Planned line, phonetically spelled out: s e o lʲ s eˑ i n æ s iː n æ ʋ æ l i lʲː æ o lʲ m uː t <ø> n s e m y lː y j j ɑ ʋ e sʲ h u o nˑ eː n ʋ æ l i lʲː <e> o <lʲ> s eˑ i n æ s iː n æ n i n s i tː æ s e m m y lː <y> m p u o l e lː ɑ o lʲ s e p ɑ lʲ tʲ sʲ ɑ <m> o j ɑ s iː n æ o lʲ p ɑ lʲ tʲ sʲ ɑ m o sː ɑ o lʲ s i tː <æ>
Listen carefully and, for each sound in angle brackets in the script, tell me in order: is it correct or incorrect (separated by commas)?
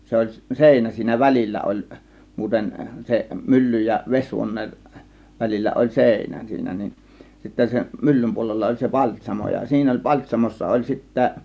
incorrect, incorrect, correct, correct, correct, correct